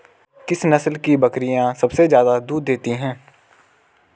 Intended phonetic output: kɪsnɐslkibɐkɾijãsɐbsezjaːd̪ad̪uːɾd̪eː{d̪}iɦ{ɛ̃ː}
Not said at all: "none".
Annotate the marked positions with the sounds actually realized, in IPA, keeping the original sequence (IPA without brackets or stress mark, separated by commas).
t̪, ɛ̃ː